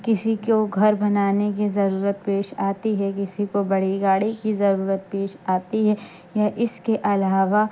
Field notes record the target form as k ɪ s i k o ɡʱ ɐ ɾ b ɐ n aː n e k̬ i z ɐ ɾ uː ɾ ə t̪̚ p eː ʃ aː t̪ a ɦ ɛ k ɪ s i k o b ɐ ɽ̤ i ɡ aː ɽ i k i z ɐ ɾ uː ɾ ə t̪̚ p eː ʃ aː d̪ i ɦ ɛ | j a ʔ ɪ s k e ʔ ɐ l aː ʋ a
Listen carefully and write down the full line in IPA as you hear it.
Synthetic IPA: k ɪ s i k o ɡʱ ɐ ɾ b ɐ n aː n e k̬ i z ɐ ɾ uː ɾ ə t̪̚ p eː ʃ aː t̪ i ɦ ɛ k ɪ s i k o b ɐ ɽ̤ i ɡ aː ɽ i k i z ɐ ɾ uː ɾ ə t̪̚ p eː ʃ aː t̪ i ɦ ɛ | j a ʔ ɪ s k e ʔ ɐ l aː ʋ a